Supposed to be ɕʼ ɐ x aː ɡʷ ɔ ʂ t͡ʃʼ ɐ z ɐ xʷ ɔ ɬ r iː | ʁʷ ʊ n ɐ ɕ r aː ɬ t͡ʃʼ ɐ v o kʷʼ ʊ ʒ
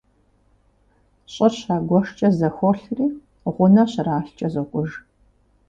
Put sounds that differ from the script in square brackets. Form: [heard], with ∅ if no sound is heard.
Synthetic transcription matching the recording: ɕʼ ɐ [ɕ] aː ɡʷ ɔ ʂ t͡ʃʼ ɐ z ɐ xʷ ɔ ɬ r iː | ʁʷ ʊ n ɐ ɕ r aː ɬ t͡ʃʼ ɐ [z] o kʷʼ ʊ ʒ